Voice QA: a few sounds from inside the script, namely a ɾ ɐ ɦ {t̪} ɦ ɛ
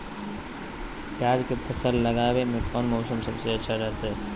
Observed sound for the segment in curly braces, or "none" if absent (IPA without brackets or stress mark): t̪